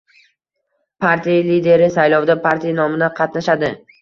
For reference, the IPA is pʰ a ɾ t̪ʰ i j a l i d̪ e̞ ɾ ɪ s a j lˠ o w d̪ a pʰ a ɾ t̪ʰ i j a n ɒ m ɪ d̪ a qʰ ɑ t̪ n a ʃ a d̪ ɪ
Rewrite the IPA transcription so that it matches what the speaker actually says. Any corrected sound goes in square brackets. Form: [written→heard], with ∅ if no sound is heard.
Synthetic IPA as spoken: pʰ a ɾ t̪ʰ i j a l i d̪ e̞ ɾ ɪ s a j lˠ [o→ɒ] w d̪ a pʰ a ɾ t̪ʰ i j a n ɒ m ɪ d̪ a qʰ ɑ t̪ n a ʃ a d̪ ɪ